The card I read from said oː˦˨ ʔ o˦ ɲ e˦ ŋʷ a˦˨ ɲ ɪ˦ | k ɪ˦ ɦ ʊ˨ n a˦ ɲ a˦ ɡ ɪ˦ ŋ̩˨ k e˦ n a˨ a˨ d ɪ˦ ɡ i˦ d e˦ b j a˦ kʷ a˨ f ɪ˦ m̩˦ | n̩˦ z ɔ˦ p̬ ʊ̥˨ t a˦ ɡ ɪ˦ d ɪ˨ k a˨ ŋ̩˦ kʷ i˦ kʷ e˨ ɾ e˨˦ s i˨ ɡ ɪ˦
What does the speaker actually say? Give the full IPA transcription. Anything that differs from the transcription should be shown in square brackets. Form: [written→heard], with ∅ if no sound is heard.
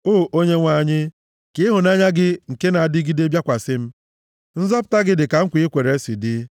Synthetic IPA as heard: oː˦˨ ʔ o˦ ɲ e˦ ŋʷ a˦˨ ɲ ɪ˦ | k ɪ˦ ɦ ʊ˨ n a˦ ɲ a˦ ɡ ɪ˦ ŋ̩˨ k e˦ n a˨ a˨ d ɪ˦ ɡ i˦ d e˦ b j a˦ kʷ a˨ [f→s] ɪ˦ m̩˦ | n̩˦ z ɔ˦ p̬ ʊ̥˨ t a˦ ɡ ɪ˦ d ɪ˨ k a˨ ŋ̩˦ kʷ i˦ kʷ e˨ ɾ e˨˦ s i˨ [ɡ→d] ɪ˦